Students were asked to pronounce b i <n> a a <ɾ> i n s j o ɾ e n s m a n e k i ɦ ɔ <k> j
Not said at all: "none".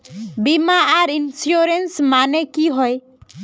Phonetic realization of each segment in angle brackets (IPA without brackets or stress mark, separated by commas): m, ɾ, none